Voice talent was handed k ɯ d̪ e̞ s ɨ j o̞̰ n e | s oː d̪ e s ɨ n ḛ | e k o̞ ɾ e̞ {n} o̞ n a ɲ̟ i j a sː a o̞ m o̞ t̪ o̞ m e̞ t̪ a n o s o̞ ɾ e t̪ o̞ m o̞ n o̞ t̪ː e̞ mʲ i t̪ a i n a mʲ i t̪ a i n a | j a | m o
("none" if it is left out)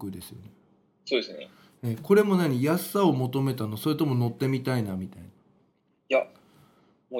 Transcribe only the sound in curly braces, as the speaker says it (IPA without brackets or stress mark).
m